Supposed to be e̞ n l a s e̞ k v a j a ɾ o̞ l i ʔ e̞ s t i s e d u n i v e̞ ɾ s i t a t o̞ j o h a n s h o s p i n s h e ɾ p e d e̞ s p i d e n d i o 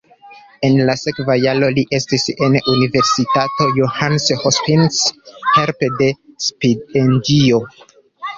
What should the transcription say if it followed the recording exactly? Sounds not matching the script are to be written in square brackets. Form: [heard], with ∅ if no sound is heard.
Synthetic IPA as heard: e̞ n l a s e̞ k v a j a [l] o̞ l i ʔ e̞ s t i s e [n] u n i v e̞ ɾ s i t a t o̞ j o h a n s h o s p i n s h e ɾ p e d e̞ s p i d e n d i o